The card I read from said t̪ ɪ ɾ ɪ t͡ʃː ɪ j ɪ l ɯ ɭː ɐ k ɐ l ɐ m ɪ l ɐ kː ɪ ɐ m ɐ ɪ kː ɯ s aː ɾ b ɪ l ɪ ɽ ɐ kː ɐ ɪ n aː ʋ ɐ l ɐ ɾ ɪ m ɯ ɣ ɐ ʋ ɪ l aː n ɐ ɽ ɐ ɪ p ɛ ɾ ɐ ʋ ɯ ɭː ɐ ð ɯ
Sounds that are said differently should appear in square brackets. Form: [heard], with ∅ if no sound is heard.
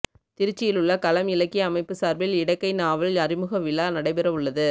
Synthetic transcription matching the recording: t̪ ɪ ɾ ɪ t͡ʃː ɪ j ɪ l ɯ ɭː ɐ k ɐ l ɐ m ɪ l ɐ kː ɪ ɐ m ɐ ɪ [pː] ɯ s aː ɾ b ɪ l ɪ ɽ ɐ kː ɐ ɪ n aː ʋ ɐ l ɐ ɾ ɪ m ɯ ɣ ɐ ʋ ɪ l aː n ɐ ɽ ɐ ɪ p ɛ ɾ ɐ ʋ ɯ ɭː ɐ ð ɯ